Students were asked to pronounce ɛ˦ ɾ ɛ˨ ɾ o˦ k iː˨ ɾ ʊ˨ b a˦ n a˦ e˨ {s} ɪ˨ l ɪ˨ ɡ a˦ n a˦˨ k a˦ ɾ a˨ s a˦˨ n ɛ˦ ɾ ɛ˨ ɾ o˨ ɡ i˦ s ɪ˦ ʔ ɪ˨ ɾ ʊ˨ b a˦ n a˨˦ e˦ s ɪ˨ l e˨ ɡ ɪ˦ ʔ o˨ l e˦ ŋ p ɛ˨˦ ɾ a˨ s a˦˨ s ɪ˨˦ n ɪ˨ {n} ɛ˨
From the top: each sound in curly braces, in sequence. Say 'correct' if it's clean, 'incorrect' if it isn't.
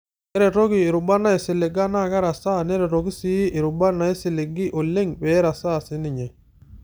correct, incorrect: ɲ

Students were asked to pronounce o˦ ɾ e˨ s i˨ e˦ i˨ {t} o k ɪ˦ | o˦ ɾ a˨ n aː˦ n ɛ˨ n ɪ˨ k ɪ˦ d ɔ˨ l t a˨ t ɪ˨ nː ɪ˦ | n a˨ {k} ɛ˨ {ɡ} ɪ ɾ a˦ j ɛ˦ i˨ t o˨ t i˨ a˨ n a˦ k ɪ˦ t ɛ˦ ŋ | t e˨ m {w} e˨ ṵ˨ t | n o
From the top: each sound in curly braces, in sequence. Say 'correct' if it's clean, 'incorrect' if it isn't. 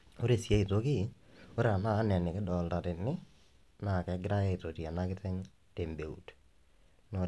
correct, correct, correct, incorrect: b

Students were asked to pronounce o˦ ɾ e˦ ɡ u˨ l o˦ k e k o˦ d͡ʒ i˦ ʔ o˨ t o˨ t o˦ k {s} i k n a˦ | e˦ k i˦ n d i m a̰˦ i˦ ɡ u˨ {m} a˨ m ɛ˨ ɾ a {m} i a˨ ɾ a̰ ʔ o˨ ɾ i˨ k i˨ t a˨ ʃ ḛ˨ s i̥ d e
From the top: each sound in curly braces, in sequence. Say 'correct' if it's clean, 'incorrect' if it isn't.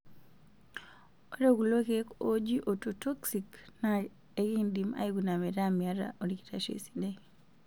correct, incorrect: n, correct

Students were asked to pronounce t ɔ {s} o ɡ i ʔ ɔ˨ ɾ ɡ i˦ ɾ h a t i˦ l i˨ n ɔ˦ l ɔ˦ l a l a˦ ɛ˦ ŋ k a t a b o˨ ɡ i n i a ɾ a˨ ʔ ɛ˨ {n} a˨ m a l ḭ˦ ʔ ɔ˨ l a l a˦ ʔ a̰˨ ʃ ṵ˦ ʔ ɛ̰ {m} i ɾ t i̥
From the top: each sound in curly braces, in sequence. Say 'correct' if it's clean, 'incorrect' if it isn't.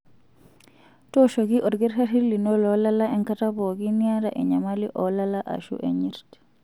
incorrect: ʃ, incorrect: ɲ, incorrect: ɲ

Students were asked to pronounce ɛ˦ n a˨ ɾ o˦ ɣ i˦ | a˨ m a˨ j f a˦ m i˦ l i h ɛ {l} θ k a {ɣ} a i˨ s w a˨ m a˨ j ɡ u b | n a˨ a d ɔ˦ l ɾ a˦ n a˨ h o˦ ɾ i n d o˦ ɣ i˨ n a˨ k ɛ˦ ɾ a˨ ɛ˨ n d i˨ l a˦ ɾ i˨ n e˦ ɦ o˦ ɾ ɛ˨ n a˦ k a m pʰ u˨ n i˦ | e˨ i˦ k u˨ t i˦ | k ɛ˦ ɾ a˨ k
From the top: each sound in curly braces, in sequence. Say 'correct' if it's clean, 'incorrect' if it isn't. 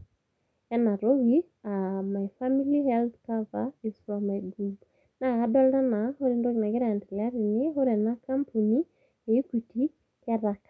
correct, incorrect: v

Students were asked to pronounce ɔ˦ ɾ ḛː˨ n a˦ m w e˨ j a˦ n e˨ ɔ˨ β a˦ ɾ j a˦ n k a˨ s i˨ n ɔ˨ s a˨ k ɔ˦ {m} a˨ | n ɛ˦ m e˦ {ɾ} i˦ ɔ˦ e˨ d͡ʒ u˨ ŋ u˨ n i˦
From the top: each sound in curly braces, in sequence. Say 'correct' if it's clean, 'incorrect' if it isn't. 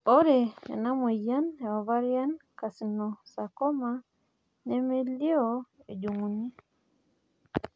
correct, incorrect: l

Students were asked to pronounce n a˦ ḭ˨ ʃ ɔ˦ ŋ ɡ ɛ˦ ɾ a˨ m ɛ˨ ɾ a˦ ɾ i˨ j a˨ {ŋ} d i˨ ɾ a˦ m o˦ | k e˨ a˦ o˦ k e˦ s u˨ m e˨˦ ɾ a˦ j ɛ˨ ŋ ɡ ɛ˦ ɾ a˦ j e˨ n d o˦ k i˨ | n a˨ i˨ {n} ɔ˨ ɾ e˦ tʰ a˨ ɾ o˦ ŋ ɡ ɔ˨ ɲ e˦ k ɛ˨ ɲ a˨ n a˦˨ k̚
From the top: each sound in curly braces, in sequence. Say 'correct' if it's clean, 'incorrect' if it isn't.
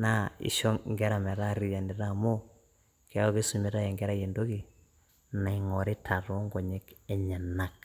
incorrect: n, incorrect: ŋ

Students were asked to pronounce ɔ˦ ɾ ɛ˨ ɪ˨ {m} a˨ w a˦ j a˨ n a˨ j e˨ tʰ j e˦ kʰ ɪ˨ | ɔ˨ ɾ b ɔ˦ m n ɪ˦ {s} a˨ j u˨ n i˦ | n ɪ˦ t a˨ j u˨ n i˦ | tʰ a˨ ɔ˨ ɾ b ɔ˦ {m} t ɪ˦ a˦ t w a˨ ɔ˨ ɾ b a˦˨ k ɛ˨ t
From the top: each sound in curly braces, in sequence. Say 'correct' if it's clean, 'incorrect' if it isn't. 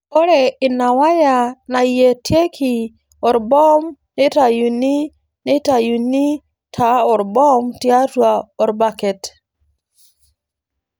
incorrect: n, incorrect: t, correct

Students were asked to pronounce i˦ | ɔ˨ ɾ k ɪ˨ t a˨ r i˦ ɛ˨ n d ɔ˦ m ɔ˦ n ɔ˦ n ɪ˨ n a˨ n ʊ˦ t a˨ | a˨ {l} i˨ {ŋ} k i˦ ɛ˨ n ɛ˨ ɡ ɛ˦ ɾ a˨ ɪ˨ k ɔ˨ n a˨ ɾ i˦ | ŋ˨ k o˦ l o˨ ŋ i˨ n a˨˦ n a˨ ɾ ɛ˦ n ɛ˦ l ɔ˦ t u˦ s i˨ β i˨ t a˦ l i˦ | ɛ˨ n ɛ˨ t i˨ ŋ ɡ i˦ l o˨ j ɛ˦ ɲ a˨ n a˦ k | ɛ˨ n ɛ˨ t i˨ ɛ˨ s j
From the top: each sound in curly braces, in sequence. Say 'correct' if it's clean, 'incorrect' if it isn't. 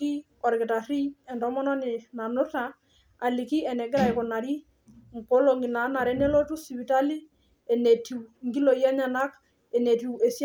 correct, incorrect: none

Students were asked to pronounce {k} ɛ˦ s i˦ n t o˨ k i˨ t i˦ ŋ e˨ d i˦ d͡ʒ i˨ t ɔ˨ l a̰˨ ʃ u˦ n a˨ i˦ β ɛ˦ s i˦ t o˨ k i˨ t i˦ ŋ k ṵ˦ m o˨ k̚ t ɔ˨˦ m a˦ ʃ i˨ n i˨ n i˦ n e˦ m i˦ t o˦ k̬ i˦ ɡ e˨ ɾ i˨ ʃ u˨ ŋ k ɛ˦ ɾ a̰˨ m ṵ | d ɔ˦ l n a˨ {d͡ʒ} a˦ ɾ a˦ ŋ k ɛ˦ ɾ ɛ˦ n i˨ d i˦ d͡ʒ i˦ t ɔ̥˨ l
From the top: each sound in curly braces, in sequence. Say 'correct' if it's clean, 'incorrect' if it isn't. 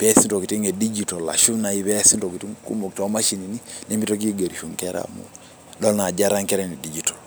incorrect: p, correct

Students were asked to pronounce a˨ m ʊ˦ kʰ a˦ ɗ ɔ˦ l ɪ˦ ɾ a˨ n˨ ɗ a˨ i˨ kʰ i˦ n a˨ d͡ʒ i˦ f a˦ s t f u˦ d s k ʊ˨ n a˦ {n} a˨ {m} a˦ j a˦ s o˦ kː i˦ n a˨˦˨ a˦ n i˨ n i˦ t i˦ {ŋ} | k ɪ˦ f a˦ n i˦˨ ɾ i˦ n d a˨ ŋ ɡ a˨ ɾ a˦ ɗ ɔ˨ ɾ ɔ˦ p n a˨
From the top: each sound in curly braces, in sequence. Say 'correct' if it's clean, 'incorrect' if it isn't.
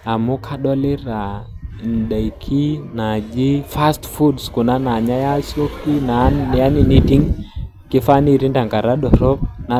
correct, incorrect: ɲ, correct

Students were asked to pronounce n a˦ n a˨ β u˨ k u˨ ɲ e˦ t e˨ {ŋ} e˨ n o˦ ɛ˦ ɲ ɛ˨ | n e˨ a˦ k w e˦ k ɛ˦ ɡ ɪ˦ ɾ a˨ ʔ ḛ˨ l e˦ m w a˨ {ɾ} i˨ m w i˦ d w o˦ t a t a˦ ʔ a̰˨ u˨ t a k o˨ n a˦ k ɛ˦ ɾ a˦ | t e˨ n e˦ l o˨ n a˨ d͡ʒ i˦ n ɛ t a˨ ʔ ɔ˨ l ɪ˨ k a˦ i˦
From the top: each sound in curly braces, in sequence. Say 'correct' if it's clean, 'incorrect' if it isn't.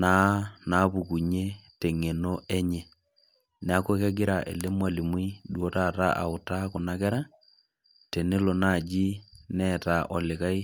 correct, incorrect: l

